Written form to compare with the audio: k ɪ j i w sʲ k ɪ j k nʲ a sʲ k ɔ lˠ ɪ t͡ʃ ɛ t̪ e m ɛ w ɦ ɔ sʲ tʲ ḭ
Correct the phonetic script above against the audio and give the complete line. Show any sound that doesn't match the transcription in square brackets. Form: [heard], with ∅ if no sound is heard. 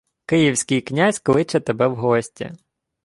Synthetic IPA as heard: k ɪ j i w sʲ k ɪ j k nʲ a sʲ k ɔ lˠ ɪ t͡ʃ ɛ t̪ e [b] ɛ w ɦ ɔ sʲ tʲ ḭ